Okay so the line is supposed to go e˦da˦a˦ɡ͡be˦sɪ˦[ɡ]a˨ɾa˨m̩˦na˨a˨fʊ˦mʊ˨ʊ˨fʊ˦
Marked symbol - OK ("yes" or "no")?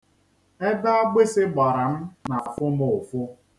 no